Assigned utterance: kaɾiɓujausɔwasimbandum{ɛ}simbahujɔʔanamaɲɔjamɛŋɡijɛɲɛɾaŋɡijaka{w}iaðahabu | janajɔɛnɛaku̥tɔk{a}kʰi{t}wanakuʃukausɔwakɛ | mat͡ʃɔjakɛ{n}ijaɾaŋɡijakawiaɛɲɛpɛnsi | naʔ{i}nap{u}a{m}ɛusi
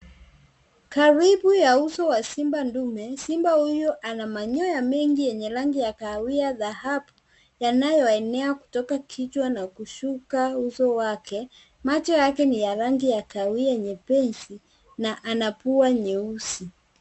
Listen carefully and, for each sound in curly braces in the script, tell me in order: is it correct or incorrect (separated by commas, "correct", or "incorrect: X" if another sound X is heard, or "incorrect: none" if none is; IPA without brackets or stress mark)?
correct, correct, correct, incorrect: t͡ʃ, correct, incorrect: a, correct, incorrect: ɲ